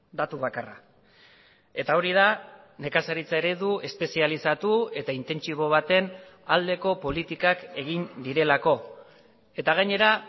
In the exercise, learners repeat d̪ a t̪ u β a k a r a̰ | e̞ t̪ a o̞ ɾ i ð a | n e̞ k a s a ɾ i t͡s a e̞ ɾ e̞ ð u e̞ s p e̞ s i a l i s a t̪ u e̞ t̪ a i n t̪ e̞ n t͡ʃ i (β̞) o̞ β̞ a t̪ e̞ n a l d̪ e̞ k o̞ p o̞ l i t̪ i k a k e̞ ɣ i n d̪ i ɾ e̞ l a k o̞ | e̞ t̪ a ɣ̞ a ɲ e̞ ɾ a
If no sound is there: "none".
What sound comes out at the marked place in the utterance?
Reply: β̞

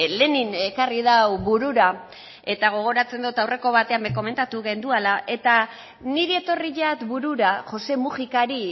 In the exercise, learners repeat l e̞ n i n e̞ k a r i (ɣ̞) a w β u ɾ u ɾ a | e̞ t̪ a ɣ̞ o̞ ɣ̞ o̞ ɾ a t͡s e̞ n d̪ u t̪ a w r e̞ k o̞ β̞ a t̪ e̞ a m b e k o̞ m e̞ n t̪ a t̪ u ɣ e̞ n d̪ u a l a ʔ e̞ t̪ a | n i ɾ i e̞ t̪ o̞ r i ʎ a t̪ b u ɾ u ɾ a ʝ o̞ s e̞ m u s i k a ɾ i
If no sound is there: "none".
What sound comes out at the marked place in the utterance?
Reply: ð̞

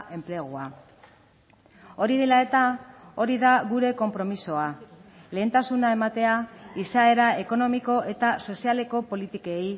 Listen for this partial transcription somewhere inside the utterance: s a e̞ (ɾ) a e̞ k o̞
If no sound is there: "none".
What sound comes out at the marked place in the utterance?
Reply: ɾ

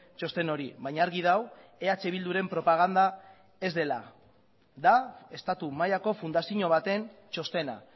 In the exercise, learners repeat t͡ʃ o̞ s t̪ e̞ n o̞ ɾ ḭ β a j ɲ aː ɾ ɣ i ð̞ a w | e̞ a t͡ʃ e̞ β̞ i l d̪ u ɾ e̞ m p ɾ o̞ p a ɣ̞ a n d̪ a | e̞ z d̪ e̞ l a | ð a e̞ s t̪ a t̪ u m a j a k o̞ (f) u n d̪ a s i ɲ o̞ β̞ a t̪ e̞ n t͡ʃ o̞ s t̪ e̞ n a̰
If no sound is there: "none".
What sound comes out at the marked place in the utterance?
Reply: f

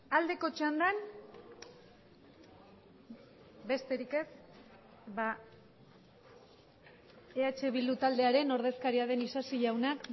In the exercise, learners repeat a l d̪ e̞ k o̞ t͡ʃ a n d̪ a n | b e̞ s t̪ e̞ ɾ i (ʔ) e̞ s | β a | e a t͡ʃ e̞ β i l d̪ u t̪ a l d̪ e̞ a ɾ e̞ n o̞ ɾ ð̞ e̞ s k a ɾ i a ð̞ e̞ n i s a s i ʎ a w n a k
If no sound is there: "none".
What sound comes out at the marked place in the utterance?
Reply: k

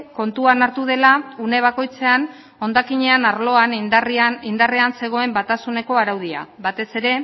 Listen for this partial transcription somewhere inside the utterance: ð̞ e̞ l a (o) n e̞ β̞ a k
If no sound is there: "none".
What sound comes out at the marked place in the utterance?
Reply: u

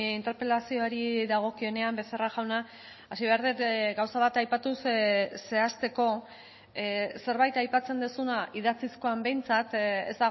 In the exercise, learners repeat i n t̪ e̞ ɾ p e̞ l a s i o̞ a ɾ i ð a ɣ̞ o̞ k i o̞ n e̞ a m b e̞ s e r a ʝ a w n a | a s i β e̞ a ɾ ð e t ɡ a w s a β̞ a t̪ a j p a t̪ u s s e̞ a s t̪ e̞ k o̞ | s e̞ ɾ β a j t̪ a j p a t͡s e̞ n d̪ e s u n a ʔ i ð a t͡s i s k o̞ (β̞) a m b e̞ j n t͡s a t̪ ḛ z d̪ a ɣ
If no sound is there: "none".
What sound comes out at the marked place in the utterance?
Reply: none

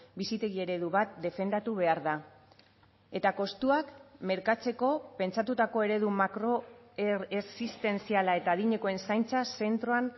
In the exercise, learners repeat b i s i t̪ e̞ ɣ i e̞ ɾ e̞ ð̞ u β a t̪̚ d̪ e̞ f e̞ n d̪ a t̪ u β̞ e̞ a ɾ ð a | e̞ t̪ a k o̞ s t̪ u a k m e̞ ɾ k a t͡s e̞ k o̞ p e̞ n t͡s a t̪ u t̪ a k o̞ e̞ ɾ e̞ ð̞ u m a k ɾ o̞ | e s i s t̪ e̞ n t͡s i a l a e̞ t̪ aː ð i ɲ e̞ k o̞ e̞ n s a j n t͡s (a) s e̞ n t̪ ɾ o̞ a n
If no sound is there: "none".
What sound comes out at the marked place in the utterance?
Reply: a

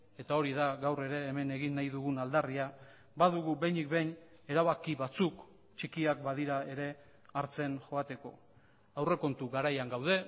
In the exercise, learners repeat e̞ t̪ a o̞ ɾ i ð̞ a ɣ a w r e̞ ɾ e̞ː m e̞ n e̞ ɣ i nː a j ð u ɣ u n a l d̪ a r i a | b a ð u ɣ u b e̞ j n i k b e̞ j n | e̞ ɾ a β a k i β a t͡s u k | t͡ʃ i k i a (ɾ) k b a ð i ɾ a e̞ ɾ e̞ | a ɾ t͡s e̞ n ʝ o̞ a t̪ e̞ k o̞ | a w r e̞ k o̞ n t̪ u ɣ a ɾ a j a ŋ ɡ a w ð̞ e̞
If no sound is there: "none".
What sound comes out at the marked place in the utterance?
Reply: none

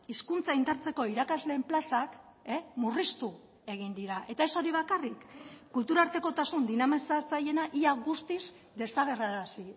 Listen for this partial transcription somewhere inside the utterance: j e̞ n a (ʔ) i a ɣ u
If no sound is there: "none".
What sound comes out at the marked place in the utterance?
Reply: ʔ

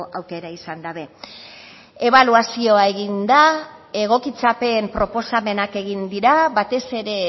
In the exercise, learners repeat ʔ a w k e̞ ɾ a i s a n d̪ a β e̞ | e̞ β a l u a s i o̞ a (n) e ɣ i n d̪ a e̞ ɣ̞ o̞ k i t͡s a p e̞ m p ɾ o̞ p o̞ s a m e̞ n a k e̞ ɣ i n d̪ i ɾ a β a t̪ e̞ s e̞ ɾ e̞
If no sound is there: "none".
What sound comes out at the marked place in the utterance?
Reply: none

